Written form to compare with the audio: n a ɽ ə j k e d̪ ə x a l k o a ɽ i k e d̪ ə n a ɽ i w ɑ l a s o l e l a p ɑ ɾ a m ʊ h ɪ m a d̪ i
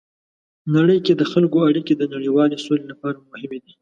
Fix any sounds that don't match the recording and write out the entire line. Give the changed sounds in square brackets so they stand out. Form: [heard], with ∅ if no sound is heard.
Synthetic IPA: n a ɽ ə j k e d̪ ə x a l k o a ɽ i k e d̪ ə n a ɽ i w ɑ l [e] s o l e l a p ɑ ɾ a m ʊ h ɪ m [e] d̪ i